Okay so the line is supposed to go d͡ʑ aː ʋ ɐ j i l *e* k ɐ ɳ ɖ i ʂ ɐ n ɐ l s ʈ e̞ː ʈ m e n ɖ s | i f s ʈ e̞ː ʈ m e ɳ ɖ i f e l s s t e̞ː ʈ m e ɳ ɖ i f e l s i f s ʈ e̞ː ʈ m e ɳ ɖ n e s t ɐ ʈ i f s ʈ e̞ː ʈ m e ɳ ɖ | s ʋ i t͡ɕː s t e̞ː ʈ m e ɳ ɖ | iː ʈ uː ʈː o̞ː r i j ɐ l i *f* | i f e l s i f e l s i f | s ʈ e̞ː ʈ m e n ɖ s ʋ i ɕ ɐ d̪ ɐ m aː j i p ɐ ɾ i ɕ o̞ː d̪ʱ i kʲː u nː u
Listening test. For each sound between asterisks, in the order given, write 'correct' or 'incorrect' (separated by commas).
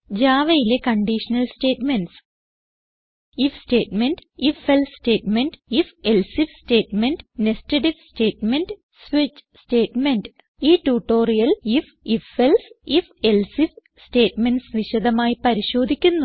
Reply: correct, correct